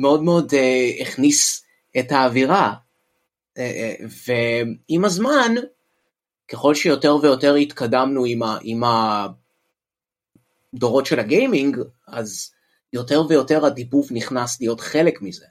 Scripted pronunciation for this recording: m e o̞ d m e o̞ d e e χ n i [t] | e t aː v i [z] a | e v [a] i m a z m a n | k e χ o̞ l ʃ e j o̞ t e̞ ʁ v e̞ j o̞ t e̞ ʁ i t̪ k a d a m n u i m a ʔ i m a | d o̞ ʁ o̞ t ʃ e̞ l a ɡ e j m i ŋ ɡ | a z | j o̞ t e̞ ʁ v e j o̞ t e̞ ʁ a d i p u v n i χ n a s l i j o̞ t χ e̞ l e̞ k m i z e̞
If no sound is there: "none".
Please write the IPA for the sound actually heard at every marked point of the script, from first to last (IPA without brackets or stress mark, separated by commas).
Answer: s, ʁ, e